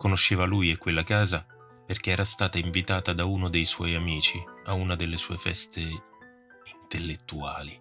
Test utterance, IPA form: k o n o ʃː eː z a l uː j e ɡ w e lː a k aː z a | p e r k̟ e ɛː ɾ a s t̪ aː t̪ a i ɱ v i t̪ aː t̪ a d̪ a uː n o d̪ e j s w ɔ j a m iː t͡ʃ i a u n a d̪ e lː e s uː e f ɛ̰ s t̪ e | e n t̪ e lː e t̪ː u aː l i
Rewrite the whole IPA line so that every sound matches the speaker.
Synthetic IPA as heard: k o n o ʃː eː v a l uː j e k w e lː a k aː z a | p e r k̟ e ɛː ɾ a s t̪ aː t̪ a i ɱ v i t̪ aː t̪ a d̪ a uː n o d̪ e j s w ɔ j a m iː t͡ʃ i a u n a d̪ e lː e s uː e f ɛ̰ s t̪ e | i n t̪ e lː e t̪ː u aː l i